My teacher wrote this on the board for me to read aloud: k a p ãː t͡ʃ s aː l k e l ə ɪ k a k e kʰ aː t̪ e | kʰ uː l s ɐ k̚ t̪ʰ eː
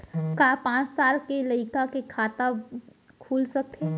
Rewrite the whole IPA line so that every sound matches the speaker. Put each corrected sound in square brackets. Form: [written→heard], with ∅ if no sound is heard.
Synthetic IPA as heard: k a p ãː t͡ʃ s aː l k e l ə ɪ k a k e kʰ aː t̪ [e→a] | kʰ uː l s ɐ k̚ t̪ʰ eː